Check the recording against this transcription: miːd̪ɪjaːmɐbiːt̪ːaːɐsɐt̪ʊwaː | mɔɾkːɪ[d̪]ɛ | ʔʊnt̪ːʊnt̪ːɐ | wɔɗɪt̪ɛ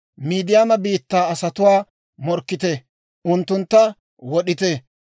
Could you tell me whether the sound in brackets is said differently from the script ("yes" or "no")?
yes